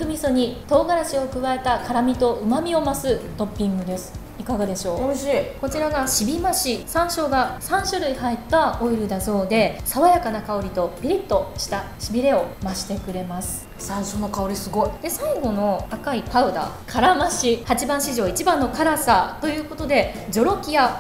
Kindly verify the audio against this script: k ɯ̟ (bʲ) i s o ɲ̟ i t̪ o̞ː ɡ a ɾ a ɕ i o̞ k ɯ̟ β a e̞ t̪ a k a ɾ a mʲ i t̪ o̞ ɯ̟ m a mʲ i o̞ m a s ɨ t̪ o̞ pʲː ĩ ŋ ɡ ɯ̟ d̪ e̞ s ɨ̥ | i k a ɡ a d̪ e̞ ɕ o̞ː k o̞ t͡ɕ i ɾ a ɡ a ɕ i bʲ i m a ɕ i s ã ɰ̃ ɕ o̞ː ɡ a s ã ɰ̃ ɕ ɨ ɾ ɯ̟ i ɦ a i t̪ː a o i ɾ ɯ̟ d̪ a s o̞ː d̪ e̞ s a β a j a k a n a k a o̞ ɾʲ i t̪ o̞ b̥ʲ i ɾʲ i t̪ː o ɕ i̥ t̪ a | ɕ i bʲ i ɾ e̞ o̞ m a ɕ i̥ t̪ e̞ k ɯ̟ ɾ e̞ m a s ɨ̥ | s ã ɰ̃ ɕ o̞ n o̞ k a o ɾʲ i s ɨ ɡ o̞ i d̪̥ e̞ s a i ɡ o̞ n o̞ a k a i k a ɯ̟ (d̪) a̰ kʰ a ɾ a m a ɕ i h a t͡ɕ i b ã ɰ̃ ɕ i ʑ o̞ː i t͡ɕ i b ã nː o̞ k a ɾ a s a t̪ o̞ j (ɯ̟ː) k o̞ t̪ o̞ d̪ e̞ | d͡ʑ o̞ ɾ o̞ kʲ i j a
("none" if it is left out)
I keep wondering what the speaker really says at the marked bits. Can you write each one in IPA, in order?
mʲ, d̪, ɯ̟ː

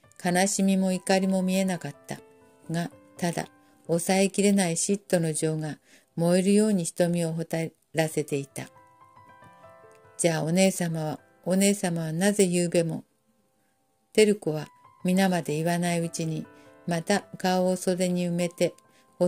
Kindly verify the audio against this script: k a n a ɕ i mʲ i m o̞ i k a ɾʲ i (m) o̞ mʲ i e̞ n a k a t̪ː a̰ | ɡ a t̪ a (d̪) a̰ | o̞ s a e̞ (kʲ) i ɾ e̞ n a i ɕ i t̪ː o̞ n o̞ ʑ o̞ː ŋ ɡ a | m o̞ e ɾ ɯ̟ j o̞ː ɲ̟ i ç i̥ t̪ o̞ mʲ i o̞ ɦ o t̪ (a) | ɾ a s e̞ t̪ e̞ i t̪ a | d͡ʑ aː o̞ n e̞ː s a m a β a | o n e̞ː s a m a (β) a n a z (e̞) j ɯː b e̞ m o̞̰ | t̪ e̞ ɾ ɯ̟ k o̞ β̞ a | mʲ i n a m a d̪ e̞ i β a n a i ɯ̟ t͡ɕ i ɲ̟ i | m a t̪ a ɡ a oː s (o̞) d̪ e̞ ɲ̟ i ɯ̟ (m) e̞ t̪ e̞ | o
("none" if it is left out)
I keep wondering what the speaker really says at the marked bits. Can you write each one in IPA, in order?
m, d̪, kʲ, a, β, e̞, o̞, m

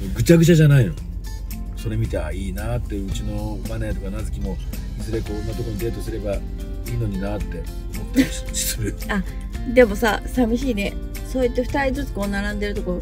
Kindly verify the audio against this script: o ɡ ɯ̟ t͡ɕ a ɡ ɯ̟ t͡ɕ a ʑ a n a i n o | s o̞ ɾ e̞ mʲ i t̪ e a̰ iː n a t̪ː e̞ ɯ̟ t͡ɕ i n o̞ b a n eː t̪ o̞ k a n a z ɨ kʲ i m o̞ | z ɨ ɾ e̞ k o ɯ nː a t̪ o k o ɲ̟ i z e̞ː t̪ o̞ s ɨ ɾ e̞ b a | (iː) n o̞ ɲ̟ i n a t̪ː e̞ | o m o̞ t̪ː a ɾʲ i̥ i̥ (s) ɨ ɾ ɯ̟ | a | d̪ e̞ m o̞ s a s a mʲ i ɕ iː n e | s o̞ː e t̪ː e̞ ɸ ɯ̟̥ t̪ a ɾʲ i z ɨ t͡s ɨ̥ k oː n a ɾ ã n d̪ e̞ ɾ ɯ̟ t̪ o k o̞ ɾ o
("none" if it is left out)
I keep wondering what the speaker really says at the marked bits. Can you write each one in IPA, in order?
iː, s

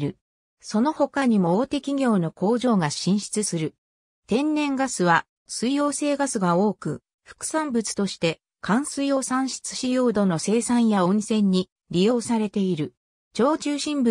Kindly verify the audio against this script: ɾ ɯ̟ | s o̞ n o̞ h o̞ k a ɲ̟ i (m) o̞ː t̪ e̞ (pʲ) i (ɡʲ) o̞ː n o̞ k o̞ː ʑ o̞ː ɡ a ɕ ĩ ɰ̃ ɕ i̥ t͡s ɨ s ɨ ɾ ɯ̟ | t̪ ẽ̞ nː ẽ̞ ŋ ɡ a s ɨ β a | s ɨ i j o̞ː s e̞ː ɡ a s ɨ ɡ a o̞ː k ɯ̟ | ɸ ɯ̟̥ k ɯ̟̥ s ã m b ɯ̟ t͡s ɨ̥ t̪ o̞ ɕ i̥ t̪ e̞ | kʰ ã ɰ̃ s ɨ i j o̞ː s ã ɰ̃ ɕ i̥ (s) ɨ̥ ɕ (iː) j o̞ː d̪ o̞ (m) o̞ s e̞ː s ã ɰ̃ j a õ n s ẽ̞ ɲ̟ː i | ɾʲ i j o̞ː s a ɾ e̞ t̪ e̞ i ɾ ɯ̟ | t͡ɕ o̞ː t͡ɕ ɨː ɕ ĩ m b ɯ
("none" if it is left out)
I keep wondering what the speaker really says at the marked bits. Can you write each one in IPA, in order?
m, kʲ, ɡʲ, t͡s, i, n

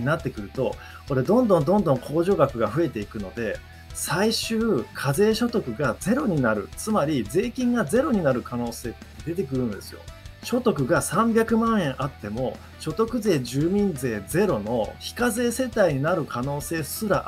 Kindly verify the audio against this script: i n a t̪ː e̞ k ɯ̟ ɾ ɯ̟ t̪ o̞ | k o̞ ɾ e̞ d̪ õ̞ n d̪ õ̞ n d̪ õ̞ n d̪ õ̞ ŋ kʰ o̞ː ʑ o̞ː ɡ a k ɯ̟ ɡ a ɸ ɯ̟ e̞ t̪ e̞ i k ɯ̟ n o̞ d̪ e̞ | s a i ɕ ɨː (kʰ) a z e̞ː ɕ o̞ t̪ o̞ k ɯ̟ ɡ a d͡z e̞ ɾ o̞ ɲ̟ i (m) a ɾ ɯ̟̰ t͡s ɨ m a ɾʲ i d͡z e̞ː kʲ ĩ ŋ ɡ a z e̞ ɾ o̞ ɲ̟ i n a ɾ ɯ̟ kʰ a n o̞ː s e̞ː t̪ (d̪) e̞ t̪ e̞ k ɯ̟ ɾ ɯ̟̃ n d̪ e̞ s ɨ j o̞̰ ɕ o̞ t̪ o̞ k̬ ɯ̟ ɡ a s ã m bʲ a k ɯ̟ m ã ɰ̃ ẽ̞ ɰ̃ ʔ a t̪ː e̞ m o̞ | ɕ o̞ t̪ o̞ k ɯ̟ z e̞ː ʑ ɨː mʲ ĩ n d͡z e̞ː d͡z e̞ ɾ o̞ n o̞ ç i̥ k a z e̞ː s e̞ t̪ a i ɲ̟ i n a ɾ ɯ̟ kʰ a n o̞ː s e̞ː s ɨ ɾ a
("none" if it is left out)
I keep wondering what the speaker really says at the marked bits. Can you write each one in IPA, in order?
kʰ, n, d̪

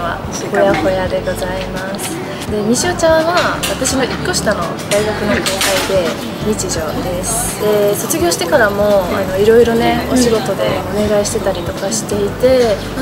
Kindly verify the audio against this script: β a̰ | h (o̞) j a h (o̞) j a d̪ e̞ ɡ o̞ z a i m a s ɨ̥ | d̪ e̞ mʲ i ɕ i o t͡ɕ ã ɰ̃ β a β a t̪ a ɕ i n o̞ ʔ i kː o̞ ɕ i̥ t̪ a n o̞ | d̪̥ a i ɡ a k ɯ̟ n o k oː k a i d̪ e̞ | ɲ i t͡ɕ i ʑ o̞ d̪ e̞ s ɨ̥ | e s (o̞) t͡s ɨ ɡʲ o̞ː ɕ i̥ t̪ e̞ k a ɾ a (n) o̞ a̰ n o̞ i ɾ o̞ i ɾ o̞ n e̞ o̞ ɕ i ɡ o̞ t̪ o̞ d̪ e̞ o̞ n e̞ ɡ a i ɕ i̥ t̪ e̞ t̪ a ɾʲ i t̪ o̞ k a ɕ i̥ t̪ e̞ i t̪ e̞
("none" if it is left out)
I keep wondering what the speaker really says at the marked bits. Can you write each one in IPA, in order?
o̞, o̞, o̞, m

